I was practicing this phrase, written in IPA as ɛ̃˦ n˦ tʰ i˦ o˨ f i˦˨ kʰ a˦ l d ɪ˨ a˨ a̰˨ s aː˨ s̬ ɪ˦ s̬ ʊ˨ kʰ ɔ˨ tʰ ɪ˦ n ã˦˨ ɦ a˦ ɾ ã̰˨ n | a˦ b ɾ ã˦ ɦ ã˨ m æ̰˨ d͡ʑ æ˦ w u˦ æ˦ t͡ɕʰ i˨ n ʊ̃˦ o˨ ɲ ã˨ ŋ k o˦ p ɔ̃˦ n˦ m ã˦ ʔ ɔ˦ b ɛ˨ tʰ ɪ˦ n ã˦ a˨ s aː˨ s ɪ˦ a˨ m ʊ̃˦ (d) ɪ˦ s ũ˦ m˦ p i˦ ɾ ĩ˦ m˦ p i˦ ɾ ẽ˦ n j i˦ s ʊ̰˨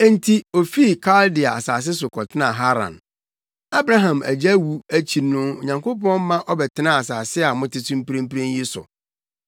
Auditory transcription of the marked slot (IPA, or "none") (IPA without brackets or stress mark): t